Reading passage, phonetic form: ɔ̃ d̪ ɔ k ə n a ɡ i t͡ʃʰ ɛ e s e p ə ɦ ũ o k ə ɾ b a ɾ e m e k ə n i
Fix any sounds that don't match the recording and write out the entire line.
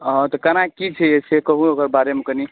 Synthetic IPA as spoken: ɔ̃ t̪ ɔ k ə n a k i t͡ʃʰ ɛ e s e k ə ɦ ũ o k ə ɾ b a ɾ e m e k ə n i